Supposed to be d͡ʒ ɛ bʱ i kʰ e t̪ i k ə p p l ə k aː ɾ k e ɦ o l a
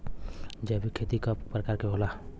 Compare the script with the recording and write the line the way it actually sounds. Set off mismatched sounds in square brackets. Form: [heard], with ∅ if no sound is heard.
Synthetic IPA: d͡ʒ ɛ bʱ i kʰ e t̪ i k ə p p [ɾ] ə k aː ɾ k e ɦ o l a